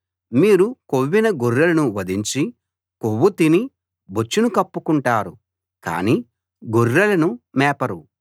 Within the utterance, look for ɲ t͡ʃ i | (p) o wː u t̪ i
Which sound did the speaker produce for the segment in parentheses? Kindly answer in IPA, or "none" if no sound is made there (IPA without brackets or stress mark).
k